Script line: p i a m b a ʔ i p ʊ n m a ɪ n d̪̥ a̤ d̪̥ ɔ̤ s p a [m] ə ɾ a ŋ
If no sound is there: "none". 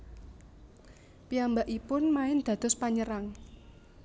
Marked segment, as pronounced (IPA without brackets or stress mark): ɲ